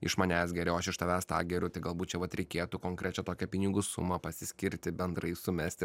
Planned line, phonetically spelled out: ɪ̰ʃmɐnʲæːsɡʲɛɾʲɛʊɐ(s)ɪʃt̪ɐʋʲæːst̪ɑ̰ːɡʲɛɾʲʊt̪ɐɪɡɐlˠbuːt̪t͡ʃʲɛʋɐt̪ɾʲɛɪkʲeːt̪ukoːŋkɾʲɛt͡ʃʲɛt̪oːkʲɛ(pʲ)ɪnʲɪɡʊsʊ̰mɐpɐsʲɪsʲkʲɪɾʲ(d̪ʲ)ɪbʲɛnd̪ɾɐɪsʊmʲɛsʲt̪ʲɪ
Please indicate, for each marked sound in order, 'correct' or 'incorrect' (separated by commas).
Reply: incorrect, correct, incorrect